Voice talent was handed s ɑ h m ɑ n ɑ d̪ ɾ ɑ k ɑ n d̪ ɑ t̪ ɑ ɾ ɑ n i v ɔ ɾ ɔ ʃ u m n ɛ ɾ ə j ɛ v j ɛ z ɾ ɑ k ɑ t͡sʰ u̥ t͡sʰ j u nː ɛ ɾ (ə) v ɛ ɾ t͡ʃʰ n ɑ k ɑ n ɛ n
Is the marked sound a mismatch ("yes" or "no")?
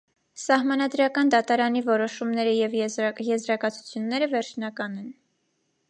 no